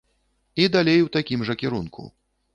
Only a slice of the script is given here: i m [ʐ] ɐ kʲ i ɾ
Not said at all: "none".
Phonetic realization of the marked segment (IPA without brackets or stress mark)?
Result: ʐ